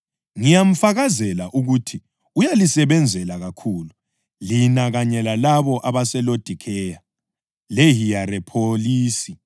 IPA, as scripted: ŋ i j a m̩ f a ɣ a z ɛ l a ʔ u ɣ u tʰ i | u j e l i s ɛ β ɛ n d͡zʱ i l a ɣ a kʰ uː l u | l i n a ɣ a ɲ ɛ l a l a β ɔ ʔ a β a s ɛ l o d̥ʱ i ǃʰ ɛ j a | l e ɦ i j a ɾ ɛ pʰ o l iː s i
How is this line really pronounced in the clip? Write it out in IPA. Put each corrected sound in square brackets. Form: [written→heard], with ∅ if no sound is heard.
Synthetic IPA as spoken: ŋ i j a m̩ f a ɣ a z ɛ l a ʔ u ɣ u tʰ i | u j [e→a] l i s ɛ β ɛ n d͡zʱ [i→ɛ] l a ɣ a kʰ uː l u | l i n a ɣ a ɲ ɛ l a l a β ɔ ʔ a β a s ɛ l o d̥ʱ i [ǃʰ→kʰ] ɛ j a | l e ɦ i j a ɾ ɛ pʰ o l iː s i